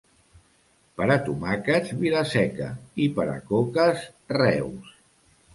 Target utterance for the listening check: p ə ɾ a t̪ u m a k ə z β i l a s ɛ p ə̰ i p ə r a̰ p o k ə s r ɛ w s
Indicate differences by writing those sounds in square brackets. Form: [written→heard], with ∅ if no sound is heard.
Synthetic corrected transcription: p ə ɾ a t̪ u m a k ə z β i l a s ɛ [p→k] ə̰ i p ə [r→ɾ] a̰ [p→k] o k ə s r ɛ w s